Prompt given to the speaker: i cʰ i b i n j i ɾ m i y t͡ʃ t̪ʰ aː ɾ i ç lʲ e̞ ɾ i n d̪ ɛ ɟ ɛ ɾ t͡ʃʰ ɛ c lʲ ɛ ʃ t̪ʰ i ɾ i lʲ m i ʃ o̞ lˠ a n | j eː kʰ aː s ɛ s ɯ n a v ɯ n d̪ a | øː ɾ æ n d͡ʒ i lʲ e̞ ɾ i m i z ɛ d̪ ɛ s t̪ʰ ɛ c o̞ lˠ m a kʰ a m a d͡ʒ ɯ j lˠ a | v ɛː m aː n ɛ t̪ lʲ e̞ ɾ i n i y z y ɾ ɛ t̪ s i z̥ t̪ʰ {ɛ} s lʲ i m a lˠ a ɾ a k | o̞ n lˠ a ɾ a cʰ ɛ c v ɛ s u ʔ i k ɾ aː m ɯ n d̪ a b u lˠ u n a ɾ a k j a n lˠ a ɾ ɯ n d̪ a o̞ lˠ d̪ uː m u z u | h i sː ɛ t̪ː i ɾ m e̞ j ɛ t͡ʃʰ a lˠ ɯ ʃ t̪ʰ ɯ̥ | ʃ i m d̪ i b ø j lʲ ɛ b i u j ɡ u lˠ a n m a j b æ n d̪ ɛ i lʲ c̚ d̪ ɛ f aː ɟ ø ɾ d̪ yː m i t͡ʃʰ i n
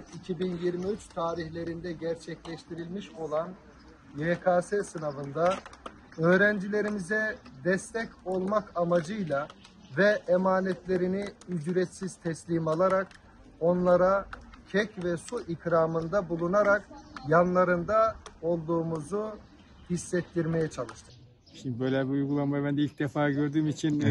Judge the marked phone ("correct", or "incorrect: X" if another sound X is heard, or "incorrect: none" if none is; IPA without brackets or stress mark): correct